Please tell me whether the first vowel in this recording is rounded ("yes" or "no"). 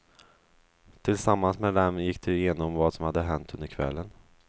no